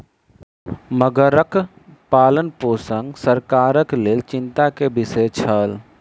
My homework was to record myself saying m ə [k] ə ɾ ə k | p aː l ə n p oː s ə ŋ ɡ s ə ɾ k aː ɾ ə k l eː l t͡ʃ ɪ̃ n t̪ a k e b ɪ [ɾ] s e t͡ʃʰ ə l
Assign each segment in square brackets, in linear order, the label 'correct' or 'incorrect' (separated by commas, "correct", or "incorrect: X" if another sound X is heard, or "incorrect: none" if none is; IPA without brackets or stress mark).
incorrect: ɡ, incorrect: none